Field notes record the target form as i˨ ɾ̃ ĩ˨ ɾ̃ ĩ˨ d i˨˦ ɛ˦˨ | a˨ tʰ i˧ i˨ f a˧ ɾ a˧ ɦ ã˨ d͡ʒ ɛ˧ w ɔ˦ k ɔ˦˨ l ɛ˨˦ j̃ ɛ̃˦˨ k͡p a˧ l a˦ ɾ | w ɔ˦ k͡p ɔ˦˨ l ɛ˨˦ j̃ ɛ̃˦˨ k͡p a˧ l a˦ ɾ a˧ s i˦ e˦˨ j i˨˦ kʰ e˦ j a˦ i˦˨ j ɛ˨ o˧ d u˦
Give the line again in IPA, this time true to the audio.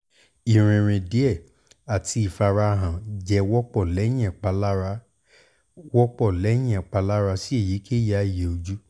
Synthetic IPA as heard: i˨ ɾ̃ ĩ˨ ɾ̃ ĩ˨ d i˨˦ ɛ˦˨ | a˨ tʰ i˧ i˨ f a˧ ɾ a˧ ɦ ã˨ d͡ʒ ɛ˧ w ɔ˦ k͡p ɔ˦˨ l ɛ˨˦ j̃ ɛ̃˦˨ k͡p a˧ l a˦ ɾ | w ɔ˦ k͡p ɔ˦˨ l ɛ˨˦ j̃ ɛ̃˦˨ k͡p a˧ l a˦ ɾ a˧ s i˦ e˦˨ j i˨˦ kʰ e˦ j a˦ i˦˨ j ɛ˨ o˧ d͡ʒ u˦

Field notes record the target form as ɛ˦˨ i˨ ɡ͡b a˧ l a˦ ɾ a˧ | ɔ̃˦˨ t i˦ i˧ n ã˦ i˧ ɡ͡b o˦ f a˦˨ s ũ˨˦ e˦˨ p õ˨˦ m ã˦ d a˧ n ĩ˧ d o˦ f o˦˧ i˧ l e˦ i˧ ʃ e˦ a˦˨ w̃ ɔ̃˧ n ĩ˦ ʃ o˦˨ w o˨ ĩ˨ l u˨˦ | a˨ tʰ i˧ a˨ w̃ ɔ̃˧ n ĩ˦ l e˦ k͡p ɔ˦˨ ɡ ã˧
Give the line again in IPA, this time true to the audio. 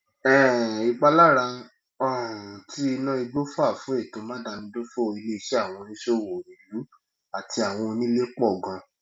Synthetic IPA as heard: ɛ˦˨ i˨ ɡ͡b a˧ l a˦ ɾ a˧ | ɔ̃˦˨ t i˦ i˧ n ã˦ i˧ ɡ͡b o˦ f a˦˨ f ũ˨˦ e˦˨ t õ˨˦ m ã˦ d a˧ n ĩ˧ d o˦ f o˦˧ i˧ l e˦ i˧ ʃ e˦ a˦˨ w̃ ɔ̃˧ n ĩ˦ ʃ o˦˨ w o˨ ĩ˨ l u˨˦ | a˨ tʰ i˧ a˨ w̃ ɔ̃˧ n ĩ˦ l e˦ k͡p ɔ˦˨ ɡ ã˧

